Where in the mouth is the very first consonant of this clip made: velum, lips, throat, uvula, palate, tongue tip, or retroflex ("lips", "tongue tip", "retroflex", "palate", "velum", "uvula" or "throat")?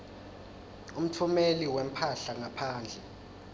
lips